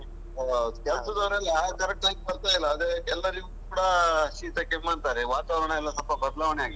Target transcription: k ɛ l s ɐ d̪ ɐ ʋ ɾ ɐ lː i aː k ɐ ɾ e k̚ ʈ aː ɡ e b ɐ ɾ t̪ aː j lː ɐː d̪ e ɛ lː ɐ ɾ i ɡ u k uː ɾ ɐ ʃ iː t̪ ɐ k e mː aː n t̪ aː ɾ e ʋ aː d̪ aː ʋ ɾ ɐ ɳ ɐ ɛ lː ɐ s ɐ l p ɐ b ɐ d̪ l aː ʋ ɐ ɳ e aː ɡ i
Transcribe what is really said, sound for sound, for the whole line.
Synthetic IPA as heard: k ɛ l s ɐ d̪ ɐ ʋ ɾ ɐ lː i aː k ɐ ɾ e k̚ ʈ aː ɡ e b ɐ ɾ t̪ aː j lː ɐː d̪ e ɛ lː ɐ ɾ i ɡ u k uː ɽ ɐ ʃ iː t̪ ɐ k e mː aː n t̪ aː ɾ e ʋ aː t̪ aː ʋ ɾ ɐ ɳ ɐ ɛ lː ɐ s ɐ l p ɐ b ɐ d̪ l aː ʋ ɐ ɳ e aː ɡ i